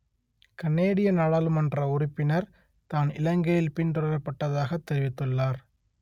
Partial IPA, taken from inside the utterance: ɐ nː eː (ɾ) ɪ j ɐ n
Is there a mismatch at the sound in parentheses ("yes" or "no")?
yes